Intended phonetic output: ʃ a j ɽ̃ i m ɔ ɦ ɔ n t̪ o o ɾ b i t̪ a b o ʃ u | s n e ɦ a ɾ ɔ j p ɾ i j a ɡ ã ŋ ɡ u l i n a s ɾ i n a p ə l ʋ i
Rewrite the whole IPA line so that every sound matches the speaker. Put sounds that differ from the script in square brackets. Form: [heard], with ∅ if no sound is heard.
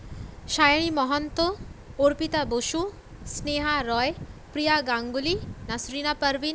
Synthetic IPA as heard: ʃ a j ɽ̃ i m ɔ ɦ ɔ n t̪ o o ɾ [p] i t̪ a b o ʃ u | s n e ɦ a ɾ ɔ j p ɾ i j a ɡ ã ŋ ɡ u l i n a s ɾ i n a p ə [ɾ] ʋ i